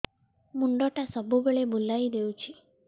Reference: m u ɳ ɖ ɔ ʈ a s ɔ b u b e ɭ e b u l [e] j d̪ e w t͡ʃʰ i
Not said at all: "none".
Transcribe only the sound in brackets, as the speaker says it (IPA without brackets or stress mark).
a